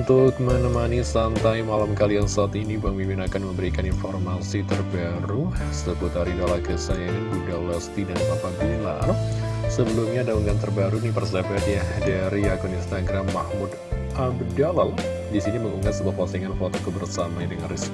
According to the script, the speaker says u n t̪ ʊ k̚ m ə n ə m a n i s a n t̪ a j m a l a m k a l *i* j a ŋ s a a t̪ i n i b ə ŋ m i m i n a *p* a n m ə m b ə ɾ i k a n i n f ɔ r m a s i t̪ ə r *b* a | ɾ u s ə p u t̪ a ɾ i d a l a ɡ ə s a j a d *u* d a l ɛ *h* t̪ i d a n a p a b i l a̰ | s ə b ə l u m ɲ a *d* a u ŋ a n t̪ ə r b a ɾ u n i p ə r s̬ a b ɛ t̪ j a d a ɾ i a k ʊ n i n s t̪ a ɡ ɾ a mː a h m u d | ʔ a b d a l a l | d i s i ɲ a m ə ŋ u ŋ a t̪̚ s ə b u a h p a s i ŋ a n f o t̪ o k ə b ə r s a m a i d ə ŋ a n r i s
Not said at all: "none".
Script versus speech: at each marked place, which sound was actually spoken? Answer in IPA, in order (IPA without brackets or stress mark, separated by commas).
i, k, b, u, s, d